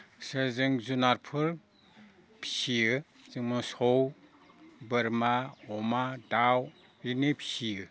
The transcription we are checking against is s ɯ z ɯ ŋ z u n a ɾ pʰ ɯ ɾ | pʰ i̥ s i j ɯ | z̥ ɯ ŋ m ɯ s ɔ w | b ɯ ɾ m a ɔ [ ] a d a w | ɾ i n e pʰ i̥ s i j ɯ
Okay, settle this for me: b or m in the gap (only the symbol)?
m